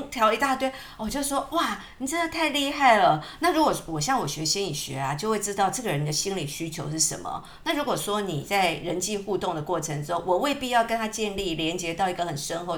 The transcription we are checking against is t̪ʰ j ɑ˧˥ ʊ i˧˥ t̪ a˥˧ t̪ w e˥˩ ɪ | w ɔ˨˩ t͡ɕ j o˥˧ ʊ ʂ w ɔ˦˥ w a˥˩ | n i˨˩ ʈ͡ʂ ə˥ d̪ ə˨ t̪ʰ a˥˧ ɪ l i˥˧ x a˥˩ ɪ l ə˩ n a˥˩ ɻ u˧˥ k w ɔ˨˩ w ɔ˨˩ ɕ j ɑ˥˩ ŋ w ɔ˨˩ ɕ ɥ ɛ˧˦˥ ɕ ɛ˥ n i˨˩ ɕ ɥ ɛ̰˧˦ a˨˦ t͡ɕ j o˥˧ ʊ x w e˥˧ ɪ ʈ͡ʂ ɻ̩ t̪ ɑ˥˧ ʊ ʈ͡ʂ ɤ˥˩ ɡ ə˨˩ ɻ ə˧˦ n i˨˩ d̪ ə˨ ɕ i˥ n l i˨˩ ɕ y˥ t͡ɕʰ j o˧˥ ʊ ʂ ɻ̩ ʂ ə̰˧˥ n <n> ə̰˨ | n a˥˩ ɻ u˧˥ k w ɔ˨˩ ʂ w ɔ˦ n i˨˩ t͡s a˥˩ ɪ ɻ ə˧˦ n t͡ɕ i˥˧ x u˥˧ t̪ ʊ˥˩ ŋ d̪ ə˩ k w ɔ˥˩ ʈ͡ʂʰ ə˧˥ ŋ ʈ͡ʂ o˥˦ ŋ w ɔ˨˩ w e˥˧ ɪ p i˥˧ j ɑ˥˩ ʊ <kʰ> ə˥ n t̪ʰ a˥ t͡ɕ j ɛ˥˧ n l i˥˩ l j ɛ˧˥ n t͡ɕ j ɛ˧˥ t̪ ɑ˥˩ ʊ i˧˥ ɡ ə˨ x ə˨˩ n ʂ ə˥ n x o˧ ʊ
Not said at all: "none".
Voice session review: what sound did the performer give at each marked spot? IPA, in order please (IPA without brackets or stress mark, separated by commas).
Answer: m, k